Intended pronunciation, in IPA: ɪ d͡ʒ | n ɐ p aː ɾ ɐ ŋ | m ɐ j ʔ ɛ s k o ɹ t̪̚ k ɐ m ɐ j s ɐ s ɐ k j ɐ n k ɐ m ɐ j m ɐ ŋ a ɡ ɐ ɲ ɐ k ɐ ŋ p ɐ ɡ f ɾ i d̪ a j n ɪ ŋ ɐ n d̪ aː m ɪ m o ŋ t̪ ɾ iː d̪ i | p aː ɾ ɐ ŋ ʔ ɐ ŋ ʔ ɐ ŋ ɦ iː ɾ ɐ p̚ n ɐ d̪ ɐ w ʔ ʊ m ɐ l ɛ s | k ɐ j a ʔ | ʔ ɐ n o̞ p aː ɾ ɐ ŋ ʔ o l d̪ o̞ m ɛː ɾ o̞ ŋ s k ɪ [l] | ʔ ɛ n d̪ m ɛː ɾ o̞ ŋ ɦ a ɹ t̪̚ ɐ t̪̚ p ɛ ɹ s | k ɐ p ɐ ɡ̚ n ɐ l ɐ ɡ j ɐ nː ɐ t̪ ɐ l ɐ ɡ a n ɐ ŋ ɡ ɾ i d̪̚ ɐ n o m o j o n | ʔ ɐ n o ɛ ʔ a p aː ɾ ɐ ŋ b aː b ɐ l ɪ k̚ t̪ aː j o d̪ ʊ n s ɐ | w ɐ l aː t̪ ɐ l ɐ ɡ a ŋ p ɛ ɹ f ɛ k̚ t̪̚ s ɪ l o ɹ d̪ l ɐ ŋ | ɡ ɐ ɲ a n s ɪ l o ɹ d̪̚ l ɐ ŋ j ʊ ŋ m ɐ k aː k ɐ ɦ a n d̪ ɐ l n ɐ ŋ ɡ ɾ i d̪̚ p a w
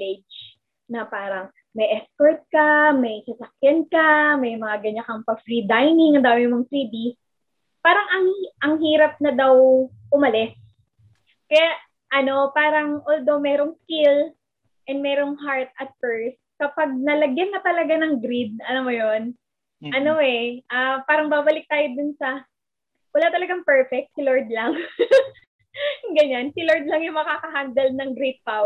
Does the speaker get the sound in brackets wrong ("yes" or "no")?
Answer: no